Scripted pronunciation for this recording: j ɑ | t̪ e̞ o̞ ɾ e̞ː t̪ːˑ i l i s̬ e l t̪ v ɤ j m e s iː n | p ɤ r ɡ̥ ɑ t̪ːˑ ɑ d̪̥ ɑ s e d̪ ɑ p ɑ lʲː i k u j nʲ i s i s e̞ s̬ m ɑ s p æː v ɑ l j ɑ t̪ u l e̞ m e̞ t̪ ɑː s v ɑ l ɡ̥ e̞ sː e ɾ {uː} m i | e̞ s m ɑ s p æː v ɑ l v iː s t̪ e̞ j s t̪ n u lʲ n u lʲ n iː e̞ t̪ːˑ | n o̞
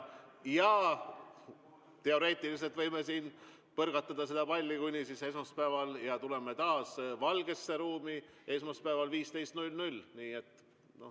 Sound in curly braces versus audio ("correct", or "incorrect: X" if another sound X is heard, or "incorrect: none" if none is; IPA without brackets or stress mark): correct